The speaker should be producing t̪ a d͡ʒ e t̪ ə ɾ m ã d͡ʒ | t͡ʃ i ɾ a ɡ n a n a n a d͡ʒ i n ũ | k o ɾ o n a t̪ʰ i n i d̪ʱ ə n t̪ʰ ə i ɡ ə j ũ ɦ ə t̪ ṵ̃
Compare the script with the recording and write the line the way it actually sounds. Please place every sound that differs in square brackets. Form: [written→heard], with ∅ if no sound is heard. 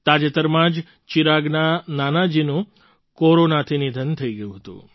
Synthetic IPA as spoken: t̪ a d͡ʒ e t̪ ə ɾ m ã d͡ʒ | t͡ʃ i ɾ a ɡ n a n a n a d͡ʒ i n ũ | k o ɾ o n a t̪ʰ i n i d̪ʱ ə n t̪ʰ ə i ɡ ə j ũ ɦ ə t̪ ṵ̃